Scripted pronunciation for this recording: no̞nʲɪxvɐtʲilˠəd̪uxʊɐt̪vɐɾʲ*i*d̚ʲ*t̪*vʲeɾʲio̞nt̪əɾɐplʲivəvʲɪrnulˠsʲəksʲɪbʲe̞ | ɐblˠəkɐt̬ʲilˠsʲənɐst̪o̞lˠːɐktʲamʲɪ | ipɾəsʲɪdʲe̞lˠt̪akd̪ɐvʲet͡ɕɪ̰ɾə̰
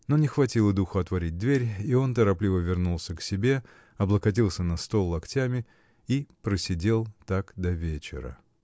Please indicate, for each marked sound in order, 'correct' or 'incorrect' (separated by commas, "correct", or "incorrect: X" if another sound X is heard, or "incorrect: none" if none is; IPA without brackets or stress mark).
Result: correct, incorrect: d̪